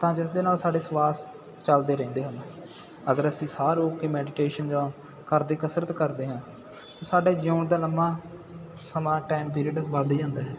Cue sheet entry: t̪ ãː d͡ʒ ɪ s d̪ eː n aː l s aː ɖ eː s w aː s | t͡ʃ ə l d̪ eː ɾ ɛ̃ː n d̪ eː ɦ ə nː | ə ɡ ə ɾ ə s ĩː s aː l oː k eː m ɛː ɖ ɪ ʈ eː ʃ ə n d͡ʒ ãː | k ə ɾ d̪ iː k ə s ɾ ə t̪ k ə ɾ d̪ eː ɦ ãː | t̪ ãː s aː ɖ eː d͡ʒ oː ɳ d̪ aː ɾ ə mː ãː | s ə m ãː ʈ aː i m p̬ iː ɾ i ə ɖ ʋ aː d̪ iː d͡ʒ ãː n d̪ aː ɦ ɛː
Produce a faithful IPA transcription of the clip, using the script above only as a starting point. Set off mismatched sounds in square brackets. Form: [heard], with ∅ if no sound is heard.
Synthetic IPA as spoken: t̪ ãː d͡ʒ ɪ s d̪ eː n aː l s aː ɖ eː s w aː s | t͡ʃ ə l d̪ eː ɾ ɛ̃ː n d̪ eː ɦ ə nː | ə ɡ ə ɾ ə s ĩː s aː [ɾ] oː k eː m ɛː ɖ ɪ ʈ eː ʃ ə n d͡ʒ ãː | k ə ɾ d̪ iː k ə s ɾ ə t̪ k ə ɾ d̪ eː ɦ ãː | t̪ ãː s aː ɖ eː d͡ʒ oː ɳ d̪ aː [l] ə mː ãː | s ə m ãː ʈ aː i m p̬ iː ɾ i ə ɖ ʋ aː d̪ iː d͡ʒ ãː n d̪ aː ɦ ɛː